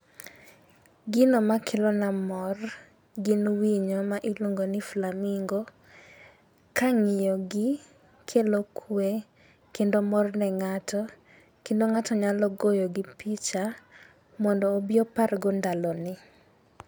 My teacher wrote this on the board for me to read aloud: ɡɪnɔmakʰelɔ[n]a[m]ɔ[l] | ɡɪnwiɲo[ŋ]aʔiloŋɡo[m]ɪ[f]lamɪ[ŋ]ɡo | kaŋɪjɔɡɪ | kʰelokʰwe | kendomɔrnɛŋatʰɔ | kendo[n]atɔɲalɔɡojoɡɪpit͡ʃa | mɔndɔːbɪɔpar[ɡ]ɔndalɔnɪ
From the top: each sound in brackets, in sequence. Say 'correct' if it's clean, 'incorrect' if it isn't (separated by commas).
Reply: correct, correct, incorrect, incorrect, incorrect, correct, correct, incorrect, correct